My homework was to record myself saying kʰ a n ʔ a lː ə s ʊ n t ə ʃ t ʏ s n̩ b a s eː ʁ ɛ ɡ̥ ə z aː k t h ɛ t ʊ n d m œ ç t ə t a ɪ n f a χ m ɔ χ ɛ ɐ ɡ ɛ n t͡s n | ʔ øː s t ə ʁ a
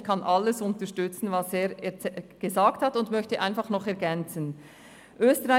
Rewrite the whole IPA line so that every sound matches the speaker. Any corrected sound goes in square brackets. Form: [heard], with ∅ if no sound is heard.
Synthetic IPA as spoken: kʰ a n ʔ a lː ə s ʊ n t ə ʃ t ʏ [t͡s] n̩ [v] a s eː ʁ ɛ ɡ̥ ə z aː k t h [a] t ʊ n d m œ ç t ə [ʔ] a ɪ n f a χ [n] ɔ χ ɛ ɐ ɡ ɛ n t͡s n | ʔ øː s t ə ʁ a